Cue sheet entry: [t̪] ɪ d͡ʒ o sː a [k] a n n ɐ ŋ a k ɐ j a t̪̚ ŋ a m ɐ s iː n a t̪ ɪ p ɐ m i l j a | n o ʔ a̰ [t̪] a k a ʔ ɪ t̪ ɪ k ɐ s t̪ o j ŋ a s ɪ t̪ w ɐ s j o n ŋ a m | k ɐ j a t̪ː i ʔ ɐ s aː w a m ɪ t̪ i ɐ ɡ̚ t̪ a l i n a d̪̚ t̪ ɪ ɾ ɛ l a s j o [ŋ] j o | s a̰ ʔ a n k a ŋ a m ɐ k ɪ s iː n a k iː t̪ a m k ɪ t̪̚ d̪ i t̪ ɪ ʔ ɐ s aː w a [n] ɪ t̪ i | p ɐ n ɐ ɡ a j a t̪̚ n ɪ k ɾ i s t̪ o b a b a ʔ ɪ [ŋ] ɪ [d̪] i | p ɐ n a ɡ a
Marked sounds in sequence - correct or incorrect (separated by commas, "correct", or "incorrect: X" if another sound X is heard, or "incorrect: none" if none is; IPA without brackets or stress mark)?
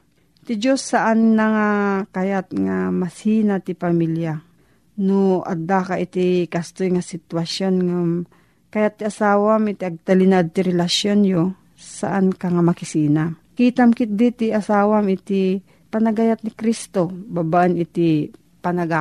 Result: correct, incorrect: ʔ, incorrect: d̪, incorrect: n, incorrect: m, incorrect: n, incorrect: t̪